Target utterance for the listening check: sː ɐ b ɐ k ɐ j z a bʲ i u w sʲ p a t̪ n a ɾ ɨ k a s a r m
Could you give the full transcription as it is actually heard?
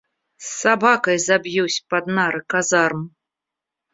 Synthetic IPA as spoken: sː a b a k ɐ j z a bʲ j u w sʲ p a d̪ n a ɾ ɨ k a z a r m